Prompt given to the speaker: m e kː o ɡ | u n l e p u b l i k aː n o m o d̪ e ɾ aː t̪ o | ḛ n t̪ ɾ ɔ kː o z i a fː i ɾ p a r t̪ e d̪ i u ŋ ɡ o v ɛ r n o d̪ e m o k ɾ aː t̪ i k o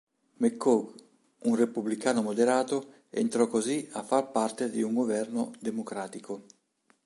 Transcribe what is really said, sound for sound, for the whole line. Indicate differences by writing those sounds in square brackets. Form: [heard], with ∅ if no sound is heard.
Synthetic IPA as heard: m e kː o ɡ | u n [r] e p u b l i k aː n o m o d̪ e ɾ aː t̪ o | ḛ n t̪ ɾ ɔ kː o z i a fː [a] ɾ p a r t̪ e d̪ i u ŋ ɡ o v ɛ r n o d̪ e m o k ɾ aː t̪ i k o